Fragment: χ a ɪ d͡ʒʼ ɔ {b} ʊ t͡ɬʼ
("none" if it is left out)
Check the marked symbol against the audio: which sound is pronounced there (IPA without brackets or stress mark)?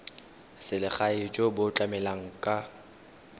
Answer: b